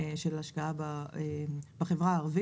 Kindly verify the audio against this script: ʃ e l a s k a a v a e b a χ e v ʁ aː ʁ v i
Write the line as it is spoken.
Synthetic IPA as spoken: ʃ e l a ʃ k a a b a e b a χ e v ʁ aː ʁ v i